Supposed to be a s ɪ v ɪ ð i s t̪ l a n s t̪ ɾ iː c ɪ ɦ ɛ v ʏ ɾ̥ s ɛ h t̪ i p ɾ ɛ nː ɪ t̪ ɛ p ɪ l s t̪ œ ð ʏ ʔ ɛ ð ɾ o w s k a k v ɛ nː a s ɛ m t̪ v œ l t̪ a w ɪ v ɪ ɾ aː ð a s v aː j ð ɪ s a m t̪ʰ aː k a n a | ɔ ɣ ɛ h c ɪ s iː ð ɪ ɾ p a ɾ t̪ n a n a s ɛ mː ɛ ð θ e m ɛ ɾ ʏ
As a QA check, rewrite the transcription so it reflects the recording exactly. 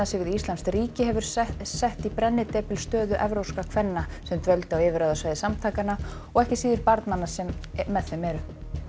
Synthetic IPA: a s ɪ v ɪ ð i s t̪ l a n s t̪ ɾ iː c ɪ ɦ ɛ v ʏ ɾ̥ s ɛ h t̪ i p ɾ ɛ nː ɪ t̪ ɛ p ɪ l s t̪ œː ð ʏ ʔ ɛ v ɾ o w s k a kʰ v ɛ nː a s ɛ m t̪ v œ l t̪ a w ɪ v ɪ ɾ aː ð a s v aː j ð ɪ s a m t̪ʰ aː k a n a | ɔ ɣ ɛ h c ɪ s iː ð ɪ ɾ p a ɾ t̪ n a n a s ɛ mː ɛ ð θ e m ɛ ɾ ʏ